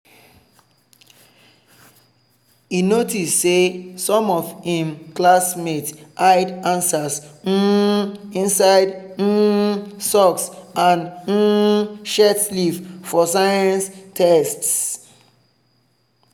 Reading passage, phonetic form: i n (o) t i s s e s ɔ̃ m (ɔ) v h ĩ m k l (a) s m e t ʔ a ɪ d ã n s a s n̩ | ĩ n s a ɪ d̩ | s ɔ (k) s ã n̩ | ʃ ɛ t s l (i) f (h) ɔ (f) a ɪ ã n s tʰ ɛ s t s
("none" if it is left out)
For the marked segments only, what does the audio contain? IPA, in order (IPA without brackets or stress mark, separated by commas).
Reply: o, ɔ, a, k, i, f, s